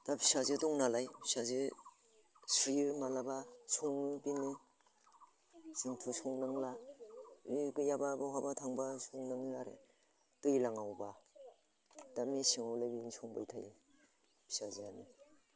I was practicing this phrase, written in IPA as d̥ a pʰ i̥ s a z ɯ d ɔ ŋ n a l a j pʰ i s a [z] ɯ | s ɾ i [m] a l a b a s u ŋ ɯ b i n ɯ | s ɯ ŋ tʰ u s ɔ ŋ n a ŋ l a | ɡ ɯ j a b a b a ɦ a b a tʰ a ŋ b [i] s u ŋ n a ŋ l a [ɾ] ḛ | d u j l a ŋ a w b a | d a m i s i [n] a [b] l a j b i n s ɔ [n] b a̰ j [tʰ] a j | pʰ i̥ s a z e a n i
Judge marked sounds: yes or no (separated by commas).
yes, yes, no, yes, no, no, no, yes